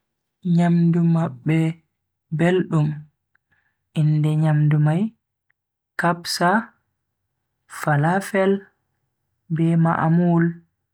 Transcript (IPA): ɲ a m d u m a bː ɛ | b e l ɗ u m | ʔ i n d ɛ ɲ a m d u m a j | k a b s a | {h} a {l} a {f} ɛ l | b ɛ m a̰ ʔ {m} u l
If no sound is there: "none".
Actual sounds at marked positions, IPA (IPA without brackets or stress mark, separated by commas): f, l, f, m